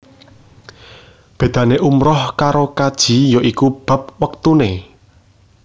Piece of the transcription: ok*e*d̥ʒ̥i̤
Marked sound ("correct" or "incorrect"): incorrect